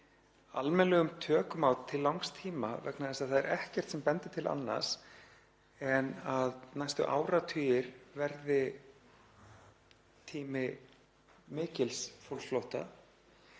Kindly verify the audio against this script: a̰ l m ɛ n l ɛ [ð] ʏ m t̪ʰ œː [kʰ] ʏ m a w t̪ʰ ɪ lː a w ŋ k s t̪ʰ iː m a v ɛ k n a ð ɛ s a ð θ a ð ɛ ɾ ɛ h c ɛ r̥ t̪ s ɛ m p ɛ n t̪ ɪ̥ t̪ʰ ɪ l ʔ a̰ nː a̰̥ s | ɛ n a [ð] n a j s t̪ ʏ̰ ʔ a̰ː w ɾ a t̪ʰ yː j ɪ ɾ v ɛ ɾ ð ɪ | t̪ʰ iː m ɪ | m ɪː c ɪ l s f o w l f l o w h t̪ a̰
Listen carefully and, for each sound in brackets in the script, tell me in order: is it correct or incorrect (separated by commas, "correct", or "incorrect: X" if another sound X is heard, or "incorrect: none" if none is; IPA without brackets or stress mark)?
incorrect: ɣ, incorrect: k, correct